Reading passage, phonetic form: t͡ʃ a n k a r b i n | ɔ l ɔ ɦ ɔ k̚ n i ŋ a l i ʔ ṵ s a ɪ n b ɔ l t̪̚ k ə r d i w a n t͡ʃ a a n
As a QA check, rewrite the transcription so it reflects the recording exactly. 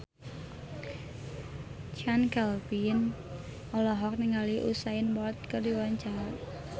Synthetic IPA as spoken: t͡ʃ a n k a l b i n | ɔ l ɔ ɦ ɔ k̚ n i ŋ a l i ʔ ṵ s a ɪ n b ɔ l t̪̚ k ə r d i w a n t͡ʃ a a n

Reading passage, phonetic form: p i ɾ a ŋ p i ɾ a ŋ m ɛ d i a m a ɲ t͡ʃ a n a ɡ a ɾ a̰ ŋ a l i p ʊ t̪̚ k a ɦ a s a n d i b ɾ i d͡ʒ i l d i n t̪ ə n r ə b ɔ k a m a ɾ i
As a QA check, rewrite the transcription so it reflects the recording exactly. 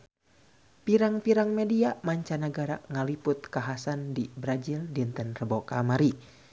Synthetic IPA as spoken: p i ɾ a ŋ p i ɾ a ŋ m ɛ d i a m a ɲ t͡ʃ a n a ɡ a ɾ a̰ ŋ a l i p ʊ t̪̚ k a ɦ a s a n d i b ɾ a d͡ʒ i l d i n t̪ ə n r ə b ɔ k a m a ɾ i

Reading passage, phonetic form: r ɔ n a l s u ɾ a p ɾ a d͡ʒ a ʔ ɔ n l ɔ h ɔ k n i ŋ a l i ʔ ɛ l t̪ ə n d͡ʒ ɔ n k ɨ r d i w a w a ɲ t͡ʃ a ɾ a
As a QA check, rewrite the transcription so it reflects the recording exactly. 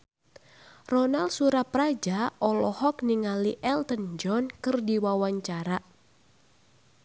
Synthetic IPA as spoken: r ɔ n a l s u ɾ a p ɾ a d͡ʒ a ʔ ɔ l ɔ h ɔ k n i ŋ a l i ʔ ɛ l t̪ ə n d͡ʒ ɔ n k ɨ r d i w a w a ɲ t͡ʃ a ɾ a

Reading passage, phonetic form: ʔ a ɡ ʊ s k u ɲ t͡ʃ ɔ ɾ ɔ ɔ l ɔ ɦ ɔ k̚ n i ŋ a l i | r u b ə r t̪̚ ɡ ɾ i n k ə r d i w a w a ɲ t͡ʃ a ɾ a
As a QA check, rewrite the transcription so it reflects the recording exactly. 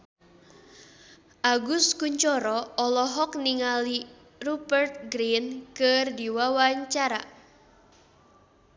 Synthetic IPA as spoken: ʔ a ɡ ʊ s k u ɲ t͡ʃ ɔ ɾ ɔ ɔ l ɔ ɦ ɔ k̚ n i ŋ a l i | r u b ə r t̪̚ ɡ ɾ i n k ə r d i w a w a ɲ t͡ʃ a ɾ a

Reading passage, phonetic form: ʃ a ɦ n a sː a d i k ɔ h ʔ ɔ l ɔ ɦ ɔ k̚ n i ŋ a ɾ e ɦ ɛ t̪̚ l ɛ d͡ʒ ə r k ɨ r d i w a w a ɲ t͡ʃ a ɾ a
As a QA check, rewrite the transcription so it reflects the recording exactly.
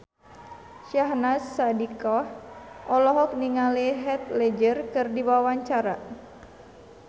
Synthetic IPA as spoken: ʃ a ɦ n a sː a d i k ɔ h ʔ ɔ l ɔ ɦ ɔ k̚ n i ŋ a l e ɦ ɛ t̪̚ l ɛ d͡ʒ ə r k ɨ r d i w a w a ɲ t͡ʃ a ɾ a

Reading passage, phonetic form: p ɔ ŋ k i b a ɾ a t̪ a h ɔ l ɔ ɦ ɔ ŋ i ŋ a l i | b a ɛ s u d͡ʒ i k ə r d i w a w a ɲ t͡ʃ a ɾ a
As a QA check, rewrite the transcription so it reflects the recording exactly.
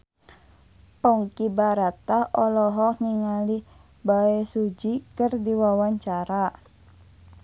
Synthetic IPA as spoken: p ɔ ŋ k i b a ɾ a t̪ a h ɔ l ɔ ɦ ɔ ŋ i ŋ a l i | b a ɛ s u d͡ʒ i k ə r d i w a w a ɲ t͡ʃ a ɾ a

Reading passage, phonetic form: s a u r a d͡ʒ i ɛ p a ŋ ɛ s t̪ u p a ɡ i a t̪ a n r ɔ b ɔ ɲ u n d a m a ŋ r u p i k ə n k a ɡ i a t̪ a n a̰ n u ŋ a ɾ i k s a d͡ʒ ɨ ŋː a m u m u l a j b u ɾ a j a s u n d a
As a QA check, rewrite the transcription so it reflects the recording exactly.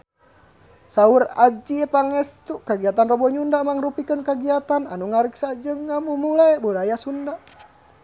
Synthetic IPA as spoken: s a u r a d͡ʒ i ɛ p a ŋ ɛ s t̪ u k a ɡ i a t̪ a n r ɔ b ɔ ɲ u n d a m a ŋ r u p i k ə n k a ɡ i a t̪ a n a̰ n u ŋ a ɾ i k s a d͡ʒ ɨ ŋː a m u m u l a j b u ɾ a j a s u n d a

